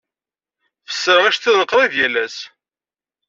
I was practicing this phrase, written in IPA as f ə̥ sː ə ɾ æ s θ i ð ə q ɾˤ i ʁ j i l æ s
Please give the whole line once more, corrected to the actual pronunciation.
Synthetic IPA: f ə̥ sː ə ɾ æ ʃ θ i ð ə q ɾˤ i ð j æ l æ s